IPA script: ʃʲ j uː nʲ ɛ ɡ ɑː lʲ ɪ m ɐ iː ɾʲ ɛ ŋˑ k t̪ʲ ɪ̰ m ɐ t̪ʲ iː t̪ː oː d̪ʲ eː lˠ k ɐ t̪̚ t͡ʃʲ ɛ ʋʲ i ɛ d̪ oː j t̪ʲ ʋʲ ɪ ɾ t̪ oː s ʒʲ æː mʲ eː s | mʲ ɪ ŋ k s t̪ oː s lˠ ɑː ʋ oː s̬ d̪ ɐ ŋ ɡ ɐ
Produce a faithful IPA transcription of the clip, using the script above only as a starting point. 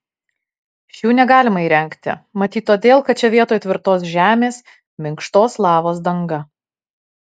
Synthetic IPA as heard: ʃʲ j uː nʲ ɛ ɡ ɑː lʲ ɪ m ɐ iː ɾʲ ɛ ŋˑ k t̪ʲ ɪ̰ m ɐ t̪ʲ iː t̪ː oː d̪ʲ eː lˠ k ɐ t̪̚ t͡ʃʲ ɛ ʋʲ i ɛ t̪ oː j t̪ʲ ʋʲ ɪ ɾ t̪ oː s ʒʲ æː mʲ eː s | mʲ ɪ ŋ k ʃ t̪ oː s lˠ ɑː ʋ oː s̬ d̪ ɐ ŋ ɡ ɐ